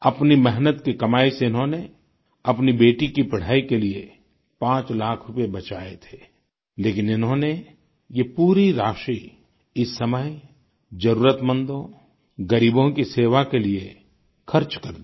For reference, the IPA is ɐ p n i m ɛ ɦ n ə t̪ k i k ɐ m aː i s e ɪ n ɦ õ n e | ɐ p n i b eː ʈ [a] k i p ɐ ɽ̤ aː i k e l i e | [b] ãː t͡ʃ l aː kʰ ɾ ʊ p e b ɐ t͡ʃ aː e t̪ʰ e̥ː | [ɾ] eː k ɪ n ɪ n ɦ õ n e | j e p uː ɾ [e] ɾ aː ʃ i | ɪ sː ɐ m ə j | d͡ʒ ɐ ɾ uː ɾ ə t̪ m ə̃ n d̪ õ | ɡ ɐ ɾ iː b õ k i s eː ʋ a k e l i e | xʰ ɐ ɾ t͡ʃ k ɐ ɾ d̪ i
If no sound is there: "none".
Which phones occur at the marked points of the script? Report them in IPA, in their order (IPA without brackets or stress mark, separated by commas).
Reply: i, p, l, i